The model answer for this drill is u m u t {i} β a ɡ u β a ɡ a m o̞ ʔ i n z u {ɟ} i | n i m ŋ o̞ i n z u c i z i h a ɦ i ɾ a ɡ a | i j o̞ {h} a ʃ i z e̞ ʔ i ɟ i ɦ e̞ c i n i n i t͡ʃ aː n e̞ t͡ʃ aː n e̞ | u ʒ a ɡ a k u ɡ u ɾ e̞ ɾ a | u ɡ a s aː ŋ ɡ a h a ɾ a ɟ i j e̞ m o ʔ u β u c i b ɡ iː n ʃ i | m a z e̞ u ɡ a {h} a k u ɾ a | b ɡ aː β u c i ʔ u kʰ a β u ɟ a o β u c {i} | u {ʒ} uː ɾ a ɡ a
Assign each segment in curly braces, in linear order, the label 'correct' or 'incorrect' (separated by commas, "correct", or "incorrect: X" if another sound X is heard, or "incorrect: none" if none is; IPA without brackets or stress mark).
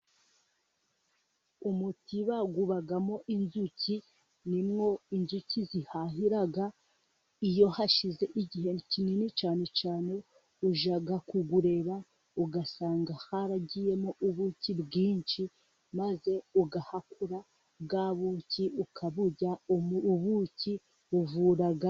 correct, incorrect: c, correct, correct, correct, incorrect: v